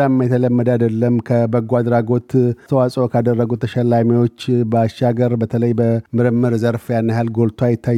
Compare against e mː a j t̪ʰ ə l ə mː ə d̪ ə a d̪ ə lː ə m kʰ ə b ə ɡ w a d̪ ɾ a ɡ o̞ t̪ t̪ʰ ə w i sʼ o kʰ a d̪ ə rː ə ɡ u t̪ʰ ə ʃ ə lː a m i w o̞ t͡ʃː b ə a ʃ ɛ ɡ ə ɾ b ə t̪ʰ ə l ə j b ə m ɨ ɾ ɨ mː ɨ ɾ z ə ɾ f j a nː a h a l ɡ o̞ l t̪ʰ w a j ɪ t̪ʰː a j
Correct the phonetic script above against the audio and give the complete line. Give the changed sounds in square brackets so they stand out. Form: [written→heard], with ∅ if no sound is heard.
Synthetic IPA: [e→a] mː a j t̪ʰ ə l ə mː ə d̪ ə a d̪ ə lː ə m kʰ ə b ə ɡ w a d̪ ɾ a ɡ o̞ t̪ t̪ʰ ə w [i→a] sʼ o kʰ a d̪ ə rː ə ɡ u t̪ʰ ə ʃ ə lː a m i w o̞ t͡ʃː b ə a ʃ [ɛ→a] ɡ ə ɾ b ə t̪ʰ ə l ə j b ə m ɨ ɾ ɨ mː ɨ ɾ z ə ɾ f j a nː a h a l ɡ o̞ l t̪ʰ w a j ɪ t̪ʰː a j